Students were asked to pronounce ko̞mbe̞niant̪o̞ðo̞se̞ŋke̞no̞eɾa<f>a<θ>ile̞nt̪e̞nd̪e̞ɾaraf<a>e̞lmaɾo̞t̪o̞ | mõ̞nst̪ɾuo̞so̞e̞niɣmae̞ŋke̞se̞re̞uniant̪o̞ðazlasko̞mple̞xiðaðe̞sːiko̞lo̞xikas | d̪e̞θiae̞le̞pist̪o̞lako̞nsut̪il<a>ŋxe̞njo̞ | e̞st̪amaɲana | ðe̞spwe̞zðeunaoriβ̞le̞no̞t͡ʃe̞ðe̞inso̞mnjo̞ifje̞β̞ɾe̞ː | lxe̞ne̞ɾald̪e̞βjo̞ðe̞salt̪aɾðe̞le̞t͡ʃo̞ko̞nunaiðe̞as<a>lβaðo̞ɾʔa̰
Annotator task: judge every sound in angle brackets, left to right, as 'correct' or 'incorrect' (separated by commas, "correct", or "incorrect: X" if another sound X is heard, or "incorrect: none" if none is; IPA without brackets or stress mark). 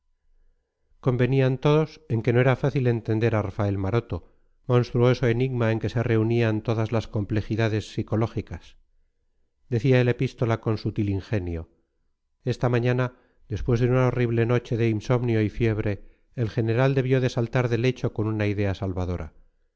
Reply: correct, correct, correct, incorrect: i, correct